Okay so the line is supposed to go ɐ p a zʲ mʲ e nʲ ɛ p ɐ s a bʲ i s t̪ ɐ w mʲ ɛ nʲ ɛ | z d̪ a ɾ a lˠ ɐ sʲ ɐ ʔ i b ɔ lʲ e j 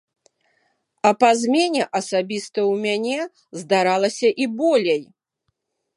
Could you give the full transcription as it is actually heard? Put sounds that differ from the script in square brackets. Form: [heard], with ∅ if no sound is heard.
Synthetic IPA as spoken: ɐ p a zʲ mʲ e nʲ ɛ [ʔ] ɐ s a bʲ i s t̪ ɐ w mʲ [a] nʲ ɛ | z d̪ a ɾ a lˠ ɐ sʲ ɐ ʔ i b ɔ lʲ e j